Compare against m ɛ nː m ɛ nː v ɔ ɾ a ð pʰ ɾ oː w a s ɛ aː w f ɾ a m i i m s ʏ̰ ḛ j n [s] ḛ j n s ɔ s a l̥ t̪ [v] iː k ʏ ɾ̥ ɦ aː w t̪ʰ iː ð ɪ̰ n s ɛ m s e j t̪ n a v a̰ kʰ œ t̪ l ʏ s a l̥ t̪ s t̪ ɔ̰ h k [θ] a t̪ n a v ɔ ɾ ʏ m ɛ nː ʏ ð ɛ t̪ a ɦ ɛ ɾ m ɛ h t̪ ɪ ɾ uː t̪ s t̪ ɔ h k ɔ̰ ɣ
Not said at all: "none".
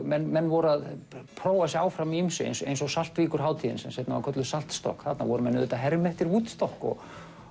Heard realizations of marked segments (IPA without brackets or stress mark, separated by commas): s, v, θ